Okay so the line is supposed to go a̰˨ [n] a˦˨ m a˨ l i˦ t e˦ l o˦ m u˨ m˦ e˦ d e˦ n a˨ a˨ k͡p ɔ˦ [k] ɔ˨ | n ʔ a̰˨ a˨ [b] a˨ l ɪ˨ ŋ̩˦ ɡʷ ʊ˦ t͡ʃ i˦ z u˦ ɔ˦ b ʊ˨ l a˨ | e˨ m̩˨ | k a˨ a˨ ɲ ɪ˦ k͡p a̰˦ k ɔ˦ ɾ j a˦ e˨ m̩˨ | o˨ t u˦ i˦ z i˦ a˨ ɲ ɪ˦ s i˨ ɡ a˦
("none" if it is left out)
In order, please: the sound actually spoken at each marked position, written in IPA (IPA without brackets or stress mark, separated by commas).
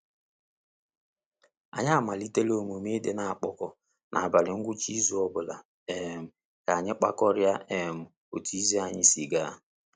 ɲ, k, b